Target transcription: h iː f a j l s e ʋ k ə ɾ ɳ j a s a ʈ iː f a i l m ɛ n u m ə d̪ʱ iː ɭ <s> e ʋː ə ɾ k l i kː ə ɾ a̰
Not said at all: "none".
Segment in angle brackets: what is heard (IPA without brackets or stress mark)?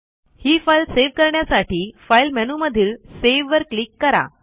s